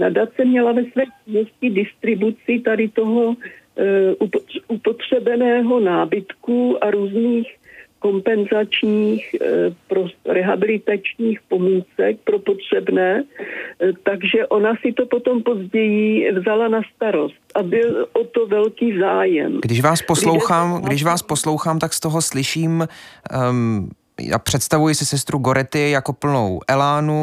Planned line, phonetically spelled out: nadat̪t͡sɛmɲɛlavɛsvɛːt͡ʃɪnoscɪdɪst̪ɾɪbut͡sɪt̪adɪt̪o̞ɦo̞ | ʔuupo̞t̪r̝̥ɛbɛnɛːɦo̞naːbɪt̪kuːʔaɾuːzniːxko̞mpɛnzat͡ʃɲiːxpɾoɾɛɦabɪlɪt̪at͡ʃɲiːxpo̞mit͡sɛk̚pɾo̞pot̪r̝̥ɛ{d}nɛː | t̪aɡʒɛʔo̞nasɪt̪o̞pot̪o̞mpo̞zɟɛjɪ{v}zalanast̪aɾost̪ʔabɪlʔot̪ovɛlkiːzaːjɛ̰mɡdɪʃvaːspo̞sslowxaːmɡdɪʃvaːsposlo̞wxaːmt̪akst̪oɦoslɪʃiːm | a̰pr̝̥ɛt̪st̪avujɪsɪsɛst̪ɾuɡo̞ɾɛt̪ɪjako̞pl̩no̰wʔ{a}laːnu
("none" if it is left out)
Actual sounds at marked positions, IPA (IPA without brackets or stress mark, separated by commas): b, v, ɛ